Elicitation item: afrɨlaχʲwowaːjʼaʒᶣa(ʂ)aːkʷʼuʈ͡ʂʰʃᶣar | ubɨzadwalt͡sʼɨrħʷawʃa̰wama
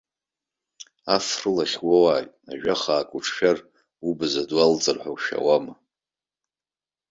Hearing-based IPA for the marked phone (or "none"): χ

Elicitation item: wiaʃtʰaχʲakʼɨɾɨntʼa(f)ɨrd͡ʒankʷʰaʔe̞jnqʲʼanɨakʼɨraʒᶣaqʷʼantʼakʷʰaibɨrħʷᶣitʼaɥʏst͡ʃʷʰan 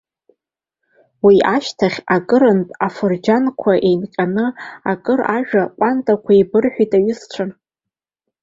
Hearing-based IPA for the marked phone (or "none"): f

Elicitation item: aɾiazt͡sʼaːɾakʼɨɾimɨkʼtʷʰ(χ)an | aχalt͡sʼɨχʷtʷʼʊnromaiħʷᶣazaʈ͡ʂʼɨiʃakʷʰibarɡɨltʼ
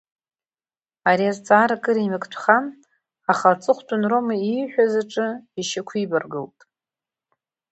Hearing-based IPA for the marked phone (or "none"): χ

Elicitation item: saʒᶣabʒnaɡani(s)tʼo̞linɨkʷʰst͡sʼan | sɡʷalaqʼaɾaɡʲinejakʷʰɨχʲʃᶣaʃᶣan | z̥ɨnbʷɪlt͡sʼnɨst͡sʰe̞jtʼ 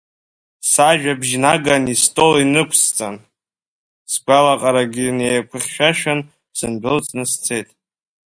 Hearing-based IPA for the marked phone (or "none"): s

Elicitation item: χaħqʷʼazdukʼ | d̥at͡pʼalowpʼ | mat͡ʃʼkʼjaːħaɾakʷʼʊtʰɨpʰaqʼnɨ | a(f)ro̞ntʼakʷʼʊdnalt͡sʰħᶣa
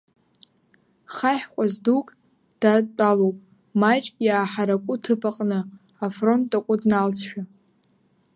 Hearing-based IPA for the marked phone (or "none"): f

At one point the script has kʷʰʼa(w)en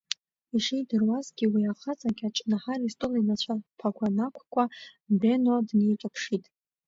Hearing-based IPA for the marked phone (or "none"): b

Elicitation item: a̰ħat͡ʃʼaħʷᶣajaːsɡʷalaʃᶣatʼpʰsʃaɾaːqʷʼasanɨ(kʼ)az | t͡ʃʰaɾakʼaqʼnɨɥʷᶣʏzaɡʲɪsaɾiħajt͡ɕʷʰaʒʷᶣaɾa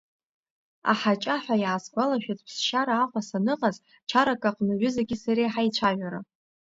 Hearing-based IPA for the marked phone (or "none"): qʼ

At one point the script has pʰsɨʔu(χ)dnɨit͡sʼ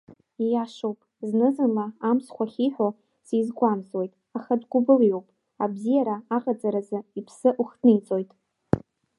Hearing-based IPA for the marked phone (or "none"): χ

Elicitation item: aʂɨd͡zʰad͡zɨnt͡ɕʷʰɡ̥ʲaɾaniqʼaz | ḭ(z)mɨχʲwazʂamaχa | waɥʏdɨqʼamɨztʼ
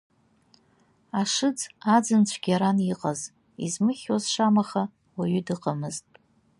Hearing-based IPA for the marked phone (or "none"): z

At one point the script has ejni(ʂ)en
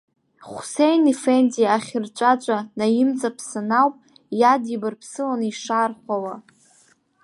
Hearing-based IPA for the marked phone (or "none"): f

